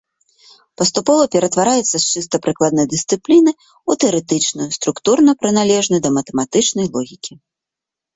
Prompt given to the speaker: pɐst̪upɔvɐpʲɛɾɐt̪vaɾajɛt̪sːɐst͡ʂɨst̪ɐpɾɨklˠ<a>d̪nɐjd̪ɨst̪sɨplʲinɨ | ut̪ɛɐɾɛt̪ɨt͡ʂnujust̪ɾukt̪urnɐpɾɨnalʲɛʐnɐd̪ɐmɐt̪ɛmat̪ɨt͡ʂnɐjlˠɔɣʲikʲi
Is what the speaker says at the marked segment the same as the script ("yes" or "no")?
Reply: yes